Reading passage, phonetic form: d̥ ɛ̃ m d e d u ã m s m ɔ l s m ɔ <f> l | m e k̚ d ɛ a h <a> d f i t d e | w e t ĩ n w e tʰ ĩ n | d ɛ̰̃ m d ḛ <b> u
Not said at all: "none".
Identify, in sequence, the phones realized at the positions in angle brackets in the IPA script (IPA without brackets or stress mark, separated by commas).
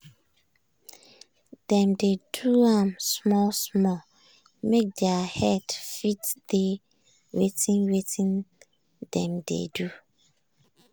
none, ɛ, d